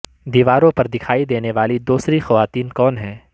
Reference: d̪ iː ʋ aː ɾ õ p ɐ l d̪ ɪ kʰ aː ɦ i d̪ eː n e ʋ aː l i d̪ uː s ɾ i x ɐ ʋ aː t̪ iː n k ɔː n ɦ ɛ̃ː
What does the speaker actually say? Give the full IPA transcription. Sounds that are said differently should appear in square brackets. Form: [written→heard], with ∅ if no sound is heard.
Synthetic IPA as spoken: d̪ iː ʋ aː ɾ õ p ɐ [l→ɾ] d̪ ɪ kʰ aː [ɦ→∅] i d̪ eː n e ʋ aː l i d̪ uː s ɾ i x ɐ ʋ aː t̪ iː n k ɔː n ɦ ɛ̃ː